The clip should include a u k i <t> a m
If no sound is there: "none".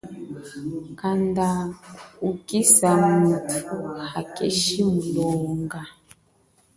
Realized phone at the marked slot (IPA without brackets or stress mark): s